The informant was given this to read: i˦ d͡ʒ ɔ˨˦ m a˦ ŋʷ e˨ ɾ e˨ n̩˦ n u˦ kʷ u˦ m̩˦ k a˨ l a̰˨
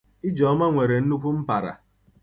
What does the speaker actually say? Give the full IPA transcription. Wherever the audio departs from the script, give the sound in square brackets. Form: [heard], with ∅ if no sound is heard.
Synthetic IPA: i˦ d͡ʒ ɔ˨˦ m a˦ ŋʷ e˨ ɾ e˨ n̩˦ n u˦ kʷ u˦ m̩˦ [p] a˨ [ɾ] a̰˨